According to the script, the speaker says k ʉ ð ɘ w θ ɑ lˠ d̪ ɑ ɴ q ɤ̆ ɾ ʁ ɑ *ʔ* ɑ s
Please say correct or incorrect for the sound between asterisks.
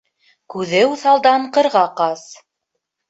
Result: incorrect